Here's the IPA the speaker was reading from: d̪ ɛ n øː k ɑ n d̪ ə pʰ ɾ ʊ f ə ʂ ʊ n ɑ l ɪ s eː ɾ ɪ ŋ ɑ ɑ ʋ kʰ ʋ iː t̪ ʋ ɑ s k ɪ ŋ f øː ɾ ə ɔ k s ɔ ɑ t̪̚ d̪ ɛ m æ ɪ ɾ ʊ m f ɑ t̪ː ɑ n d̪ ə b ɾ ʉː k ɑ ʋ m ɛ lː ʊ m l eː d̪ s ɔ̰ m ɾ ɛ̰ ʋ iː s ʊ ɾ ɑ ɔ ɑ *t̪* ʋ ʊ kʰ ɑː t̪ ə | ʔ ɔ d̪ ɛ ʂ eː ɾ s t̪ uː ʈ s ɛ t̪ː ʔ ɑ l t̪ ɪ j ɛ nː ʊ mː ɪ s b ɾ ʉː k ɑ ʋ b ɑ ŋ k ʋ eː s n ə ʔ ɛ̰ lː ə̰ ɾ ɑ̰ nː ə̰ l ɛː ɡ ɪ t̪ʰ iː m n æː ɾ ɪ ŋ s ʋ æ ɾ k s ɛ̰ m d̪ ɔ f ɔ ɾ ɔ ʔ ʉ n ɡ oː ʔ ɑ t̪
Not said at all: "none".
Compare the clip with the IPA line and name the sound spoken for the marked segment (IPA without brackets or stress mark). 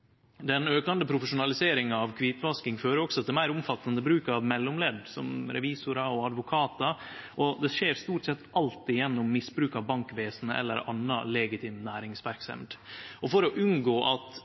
d̪